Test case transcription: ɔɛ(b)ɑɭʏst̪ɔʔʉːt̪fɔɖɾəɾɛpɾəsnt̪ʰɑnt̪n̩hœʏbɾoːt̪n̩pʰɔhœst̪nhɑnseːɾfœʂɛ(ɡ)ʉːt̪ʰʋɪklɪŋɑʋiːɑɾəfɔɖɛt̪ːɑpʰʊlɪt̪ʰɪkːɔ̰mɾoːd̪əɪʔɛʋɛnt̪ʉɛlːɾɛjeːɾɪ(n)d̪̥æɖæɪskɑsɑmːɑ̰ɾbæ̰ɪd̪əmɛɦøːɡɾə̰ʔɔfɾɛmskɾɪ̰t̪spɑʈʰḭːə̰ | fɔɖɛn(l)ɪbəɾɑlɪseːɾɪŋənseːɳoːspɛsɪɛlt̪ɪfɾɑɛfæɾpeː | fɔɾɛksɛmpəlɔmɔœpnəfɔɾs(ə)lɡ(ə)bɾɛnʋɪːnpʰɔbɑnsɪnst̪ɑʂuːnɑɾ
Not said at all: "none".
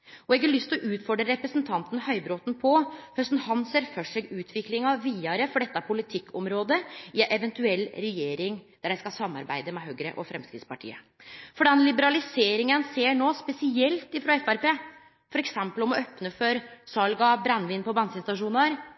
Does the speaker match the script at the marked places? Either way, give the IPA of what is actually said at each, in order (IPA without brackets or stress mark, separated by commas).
ɡ, ɡ, ŋ, l, ɑ, ɑ